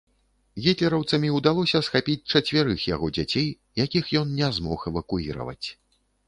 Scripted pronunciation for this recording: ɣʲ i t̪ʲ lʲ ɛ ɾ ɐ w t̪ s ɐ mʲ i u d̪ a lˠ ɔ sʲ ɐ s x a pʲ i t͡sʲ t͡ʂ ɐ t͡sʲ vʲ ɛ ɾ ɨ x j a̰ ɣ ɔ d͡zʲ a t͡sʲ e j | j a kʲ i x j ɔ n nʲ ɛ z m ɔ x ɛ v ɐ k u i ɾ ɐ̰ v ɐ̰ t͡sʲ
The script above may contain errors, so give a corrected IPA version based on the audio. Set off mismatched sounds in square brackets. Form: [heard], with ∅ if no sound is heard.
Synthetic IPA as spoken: ɣʲ i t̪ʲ lʲ ɛ ɾ ɐ w t̪ s ɐ mʲ i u d̪ a lˠ ɔ sʲ ɐ s x a pʲ i t͡sʲ t͡ʂ ɐ t͡sʲ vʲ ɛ ɾ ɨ x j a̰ ɣ ɔ d͡zʲ a t͡sʲ e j | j a kʲ i x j ɔ n nʲ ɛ z m ɔ x ɛ v ɐ k u i ɾ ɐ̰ v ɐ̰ t͡sʲ